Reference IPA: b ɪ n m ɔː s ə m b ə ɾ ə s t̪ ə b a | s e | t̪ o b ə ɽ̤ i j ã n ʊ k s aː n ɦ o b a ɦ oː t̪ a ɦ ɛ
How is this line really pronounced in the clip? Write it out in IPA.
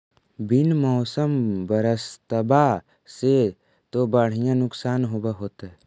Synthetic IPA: b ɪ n m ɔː s ə m b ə ɾ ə s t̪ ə b a | s e | t̪ o b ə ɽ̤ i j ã n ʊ k s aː n ɦ o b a ɦ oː t̪ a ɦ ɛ